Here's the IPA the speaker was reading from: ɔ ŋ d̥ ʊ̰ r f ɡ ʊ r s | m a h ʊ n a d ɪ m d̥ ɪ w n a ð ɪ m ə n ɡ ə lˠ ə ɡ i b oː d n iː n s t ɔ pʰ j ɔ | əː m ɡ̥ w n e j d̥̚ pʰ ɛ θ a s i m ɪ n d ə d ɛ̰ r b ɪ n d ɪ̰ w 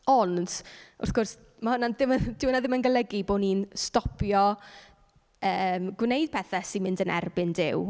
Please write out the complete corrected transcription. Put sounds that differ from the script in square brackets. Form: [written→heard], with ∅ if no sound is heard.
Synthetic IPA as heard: ɔ [ŋ→n] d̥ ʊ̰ r [f→θ] ɡ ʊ r s | m a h ʊ n a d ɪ m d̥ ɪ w n a ð ɪ m ə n ɡ ə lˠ ə ɡ i b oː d n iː n s t ɔ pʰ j ɔ | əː m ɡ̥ w n e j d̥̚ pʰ ɛ θ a s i m ɪ n d ə [d→n] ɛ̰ r b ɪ n d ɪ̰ w